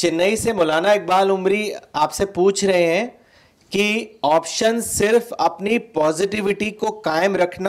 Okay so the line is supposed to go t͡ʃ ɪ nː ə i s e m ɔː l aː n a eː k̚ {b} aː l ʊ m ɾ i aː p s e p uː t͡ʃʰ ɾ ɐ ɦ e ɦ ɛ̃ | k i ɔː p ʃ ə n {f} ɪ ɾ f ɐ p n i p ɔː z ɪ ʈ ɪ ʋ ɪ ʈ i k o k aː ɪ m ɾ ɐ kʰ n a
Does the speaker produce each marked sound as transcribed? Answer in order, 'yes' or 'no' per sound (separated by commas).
yes, no